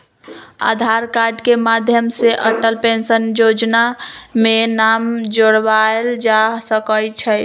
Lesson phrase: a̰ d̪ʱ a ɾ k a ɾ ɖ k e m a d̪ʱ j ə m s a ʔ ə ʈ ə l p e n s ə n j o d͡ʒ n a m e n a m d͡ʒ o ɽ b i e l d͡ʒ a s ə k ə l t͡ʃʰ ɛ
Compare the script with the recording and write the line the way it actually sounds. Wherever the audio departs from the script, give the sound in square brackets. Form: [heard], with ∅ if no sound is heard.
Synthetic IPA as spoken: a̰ d̪ʱ a ɾ k a ɾ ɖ k e m a d̪ʱ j ə m s [e] ʔ ə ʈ ə l p e n s ə n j o d͡ʒ n a m e n a m d͡ʒ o ɽ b [a] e l d͡ʒ a s ə k ə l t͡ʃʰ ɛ